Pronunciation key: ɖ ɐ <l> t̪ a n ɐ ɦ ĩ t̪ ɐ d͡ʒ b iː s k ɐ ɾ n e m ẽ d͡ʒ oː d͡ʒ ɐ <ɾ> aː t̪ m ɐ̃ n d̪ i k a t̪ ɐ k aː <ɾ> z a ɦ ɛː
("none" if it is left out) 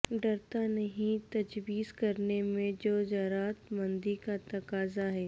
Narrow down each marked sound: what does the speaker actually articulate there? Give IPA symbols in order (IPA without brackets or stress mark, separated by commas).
ɾ, ɾ, none